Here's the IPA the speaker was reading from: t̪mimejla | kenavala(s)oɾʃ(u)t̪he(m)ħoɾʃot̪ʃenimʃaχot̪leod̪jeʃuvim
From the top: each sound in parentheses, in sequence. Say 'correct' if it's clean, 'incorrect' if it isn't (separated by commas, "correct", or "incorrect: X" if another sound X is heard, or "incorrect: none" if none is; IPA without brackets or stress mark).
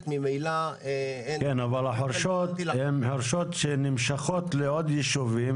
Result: incorrect: ħ, incorrect: o, correct